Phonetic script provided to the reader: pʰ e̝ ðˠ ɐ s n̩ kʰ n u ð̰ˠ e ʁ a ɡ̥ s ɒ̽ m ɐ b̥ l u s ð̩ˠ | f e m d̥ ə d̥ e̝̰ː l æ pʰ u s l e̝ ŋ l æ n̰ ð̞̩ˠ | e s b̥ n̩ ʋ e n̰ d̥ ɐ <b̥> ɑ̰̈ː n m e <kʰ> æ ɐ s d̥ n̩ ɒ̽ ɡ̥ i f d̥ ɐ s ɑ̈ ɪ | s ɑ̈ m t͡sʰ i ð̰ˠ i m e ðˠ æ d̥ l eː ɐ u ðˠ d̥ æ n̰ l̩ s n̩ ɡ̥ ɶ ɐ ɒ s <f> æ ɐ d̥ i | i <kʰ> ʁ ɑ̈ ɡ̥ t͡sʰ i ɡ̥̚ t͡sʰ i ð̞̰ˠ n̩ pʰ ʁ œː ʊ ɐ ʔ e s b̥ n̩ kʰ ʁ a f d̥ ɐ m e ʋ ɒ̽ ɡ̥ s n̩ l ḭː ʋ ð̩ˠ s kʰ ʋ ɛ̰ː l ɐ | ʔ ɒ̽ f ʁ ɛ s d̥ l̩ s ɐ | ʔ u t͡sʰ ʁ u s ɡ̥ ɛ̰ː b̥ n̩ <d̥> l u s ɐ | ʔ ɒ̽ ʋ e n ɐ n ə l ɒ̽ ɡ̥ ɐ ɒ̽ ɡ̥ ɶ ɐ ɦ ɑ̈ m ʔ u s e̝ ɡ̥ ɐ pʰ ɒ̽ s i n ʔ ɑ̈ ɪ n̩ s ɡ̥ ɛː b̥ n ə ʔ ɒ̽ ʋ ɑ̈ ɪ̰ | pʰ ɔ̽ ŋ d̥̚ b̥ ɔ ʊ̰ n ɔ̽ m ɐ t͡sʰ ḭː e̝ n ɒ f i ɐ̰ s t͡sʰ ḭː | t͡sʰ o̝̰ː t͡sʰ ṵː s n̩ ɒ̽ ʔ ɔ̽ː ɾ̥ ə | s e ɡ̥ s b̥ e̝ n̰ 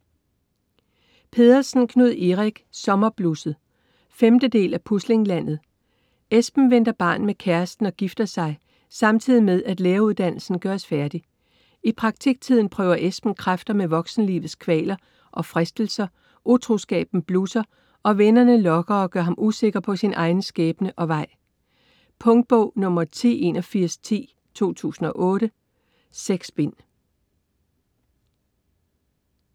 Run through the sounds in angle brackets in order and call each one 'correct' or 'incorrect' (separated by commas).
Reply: correct, correct, correct, incorrect, incorrect